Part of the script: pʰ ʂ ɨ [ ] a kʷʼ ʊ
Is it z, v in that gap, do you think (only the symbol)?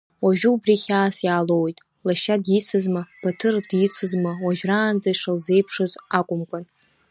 z